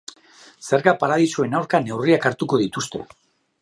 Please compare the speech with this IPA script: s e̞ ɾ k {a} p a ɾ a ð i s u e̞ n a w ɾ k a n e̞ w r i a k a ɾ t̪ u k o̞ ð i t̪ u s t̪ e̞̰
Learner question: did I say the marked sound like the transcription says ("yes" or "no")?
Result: yes